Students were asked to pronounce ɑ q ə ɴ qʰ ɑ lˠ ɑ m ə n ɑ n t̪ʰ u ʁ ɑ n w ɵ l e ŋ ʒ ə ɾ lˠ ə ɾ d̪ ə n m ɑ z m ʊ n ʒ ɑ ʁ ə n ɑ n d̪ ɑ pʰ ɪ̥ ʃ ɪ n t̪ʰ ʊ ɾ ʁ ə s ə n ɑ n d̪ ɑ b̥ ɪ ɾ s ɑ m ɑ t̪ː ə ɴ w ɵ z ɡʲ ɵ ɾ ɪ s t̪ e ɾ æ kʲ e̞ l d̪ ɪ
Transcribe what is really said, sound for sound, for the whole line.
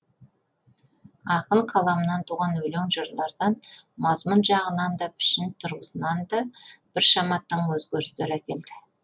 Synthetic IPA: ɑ q ə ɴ qʰ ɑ lˠ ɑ m ə n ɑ n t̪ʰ u ʁ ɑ n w ɵ l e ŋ ʒ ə ɾ lˠ ɑ ɾ d̪ ɑ n m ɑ z m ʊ n ʒ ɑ ʁ ə n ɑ n d̪ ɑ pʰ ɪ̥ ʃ ɪ n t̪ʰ ʊ ɾ ʁ ə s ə n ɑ n d̪ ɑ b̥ ɪ ɾ ʃ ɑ m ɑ t̪ː ə ɴ w ɵ z ɡʲ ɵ ɾ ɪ s t̪ e ɾ æ kʲ e̞ l d̪ ɪ

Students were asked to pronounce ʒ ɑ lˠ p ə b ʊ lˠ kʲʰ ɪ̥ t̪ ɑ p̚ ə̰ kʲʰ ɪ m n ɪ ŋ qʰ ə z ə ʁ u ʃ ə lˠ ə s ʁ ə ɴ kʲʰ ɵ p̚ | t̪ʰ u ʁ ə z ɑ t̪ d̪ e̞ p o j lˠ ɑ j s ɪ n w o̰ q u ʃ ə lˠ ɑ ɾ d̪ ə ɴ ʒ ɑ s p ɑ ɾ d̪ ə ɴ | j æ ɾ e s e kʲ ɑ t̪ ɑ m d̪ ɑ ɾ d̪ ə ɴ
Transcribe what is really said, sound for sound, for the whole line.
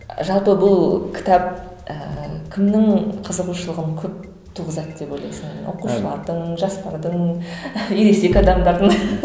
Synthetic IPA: ʒ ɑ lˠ p ə b ʊ lˠ kʲʰ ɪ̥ t̪ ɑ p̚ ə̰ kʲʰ ɪ m n ɪ ŋ qʰ ə z ə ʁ u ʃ ə lˠ ə ʁ ə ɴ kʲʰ ɵ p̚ | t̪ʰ u ʁ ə z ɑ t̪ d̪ e̞ p o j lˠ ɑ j s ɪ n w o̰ q u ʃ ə lˠ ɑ ɾ d̪ ə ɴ ʒ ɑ s p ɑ ɾ d̪ ə ɴ | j e ɾ e s e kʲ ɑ d̪ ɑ m d̪ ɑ ɾ d̪ ə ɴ

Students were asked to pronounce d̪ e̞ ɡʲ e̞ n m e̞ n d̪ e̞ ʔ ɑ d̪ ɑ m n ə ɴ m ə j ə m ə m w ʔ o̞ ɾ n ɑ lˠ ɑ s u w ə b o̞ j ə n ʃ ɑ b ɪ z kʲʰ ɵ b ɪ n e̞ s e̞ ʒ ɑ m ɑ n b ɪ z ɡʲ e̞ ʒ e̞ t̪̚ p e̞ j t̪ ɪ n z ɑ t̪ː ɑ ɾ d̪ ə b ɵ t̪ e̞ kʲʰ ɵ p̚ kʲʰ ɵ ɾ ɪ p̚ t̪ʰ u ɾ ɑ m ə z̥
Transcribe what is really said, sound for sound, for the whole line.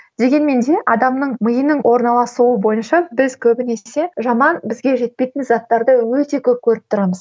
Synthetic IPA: d̪ e̞ ɡʲ e̞ n m e̞ n d̪ e̞ ʔ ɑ d̪ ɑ m n ə ɴ m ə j ə n ə ɴ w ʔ o̞ ɾ n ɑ lˠ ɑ s u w ə b o̞ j ə n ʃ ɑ b ɪ z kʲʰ ɵ b ɪ n e̞ s e̞ ʒ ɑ m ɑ n b ɪ z ɡʲ e̞ ʒ e̞ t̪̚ p e̞ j t̪ ɪ n z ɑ t̪ː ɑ ɾ d̪ ə w ɵ t̪ e̞ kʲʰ ɵ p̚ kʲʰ ɵ ɾ ɪ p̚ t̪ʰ ʊ ɾ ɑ m ə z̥

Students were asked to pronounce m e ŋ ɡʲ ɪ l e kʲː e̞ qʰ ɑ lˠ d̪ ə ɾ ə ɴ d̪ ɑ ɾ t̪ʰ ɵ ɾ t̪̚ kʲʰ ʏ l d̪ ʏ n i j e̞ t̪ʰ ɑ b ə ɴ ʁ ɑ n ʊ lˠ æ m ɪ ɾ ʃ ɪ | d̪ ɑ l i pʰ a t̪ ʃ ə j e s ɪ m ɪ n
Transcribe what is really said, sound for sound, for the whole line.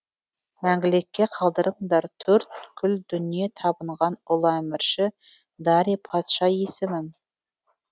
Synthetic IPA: m æ ŋ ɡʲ ɪ l e kʲː e̞ qʰ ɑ lˠ d̪ ə ɾ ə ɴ d̪ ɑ ɾ t̪ʰ ɵ ɾ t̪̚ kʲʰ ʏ l d̪ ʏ n i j e̞ t̪ʰ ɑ b ə ɴ ʁ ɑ n ʊ lˠ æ m ɪ ɾ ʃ ɪ | d̪ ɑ ɾ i pʰ ɑ t̪ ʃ ɑ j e s ɪ m ɪ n

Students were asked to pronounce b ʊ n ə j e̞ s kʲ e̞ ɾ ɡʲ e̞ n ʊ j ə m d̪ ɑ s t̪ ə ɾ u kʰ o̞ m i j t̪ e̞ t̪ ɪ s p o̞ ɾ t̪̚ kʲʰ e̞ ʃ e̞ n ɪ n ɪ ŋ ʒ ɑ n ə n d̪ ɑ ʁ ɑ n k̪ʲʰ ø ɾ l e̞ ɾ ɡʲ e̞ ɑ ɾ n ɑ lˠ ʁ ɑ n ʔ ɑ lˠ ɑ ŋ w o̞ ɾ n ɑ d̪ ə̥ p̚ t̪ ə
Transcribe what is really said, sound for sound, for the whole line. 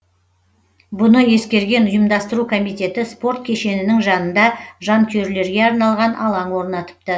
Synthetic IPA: b ʊ n ə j e̞ s kʲ e̞ ɾ ɡʲ e̞ n ʊ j ə m d̪ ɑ s t̪ ə ɾ u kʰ o̞ m i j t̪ e̞ t̪ ɪ s p o̞ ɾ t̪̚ kʲʰ e̞ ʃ e̞ n ɪ n ɪ ŋ ʒ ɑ n ə n d̪ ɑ ʒ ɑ n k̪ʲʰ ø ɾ l e̞ ɾ ɡʲ e̞ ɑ ɾ n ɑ lˠ ʁ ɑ n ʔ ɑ lˠ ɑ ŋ w o̞ ɾ n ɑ t̪ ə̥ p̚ t̪ ə

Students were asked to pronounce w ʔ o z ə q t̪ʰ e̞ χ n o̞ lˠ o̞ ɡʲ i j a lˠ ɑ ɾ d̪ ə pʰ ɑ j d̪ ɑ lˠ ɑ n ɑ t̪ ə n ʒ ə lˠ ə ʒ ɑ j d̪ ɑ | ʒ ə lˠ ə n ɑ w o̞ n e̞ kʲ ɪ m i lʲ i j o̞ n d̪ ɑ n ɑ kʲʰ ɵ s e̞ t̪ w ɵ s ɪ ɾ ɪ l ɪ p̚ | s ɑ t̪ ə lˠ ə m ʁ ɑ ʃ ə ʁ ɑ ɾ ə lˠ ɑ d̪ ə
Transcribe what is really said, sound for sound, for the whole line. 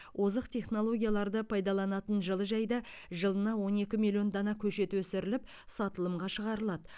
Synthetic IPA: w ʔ o z ə q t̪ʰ e̞ χ n o̞ lˠ o̞ ɡʲ i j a lˠ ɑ ɾ d̪ ə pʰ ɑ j d̪ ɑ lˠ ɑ n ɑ t̪ ə n ʒ ə lˠ ə ʒ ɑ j d̪ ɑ | ʒ ə lˠ ə n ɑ w o̞ n e̞ kʲ ɪ m i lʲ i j o̞ n d̪ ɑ n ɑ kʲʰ ɵ ʃ e̞ t̪ w ɵ s ɪ ɾ ɪ l ɪ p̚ | s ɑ t̪ ə lˠ ə m ʁ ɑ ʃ ə ʁ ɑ ɾ ə lˠ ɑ d̪ ə

